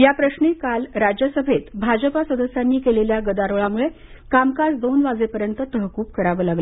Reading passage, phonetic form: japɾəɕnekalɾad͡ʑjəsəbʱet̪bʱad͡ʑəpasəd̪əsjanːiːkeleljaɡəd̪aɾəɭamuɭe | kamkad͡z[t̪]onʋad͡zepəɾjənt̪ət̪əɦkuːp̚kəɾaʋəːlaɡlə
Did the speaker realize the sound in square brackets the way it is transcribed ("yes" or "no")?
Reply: no